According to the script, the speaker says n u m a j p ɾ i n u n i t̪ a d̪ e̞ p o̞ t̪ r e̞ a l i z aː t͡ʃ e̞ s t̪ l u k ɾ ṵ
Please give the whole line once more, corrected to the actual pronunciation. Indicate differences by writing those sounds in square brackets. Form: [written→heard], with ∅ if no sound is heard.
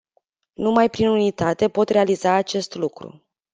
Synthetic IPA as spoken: n u m a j p ɾ i n u n i t̪ a [d̪→t̪] e̞ p o̞ t̪ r e̞ a l i z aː t͡ʃ e̞ s t̪ l u k ɾ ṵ